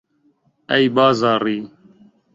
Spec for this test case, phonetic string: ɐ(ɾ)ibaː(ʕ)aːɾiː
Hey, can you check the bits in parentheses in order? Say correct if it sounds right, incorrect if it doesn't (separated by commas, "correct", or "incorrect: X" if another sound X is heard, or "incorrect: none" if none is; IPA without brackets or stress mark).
incorrect: none, incorrect: z